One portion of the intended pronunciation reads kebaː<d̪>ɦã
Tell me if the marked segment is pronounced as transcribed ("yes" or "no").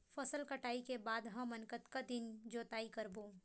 yes